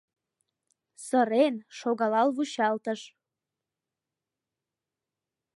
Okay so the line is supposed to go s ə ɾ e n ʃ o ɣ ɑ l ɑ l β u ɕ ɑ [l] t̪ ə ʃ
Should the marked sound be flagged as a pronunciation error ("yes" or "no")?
no